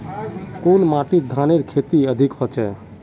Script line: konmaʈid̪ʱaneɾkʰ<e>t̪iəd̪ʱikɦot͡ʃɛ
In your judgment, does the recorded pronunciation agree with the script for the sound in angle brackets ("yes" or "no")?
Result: yes